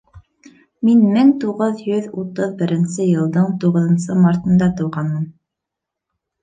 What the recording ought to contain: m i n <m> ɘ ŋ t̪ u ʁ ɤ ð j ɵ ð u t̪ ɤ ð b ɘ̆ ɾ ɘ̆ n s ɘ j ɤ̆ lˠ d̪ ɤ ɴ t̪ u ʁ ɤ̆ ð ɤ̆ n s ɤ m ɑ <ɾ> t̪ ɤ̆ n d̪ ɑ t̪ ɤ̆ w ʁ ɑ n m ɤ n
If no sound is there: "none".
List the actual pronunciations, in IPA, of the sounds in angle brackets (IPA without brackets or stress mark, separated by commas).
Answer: m, ɾ